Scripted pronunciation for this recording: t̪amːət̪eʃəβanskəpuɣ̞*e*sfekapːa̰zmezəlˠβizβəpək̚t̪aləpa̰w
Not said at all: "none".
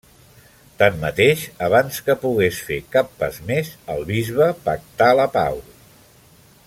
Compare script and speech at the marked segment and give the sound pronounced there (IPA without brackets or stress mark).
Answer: e